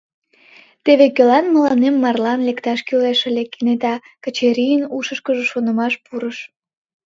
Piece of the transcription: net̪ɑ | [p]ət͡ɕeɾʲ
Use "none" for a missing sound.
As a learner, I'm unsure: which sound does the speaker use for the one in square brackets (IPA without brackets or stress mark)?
k